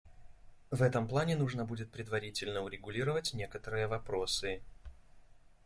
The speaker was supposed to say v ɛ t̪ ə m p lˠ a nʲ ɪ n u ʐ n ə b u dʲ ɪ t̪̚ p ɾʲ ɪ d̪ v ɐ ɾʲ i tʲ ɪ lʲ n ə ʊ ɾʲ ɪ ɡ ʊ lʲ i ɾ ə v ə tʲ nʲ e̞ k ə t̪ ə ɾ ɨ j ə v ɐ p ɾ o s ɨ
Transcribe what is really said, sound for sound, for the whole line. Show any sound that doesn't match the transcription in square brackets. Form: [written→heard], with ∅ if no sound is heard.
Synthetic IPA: v ɛ t̪ ə m p lˠ a nʲ ɪ n u ʐ n ə b u dʲ ɪ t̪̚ p ɾʲ ɪ d̪ v ɐ ɾʲ i tʲ ɪ lʲ n ə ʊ ɾʲ ɪ ɡ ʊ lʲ i ɾ ə v ə tʲ nʲ e̞ k ə t̪ ə ɾ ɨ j ə v ɐ p ɾ o s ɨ